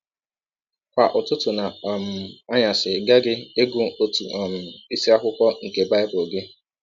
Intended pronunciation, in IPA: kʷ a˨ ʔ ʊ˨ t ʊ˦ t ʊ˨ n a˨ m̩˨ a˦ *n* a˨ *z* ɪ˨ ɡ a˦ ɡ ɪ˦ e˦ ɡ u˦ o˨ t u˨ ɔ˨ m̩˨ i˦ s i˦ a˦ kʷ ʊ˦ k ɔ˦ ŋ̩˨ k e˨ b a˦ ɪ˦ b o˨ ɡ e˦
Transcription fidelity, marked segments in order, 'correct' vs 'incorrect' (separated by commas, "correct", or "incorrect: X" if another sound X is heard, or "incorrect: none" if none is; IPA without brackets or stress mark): incorrect: ɲ, incorrect: s